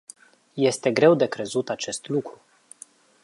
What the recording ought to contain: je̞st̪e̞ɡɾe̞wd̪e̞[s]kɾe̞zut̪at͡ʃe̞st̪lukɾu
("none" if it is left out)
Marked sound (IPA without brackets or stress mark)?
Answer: none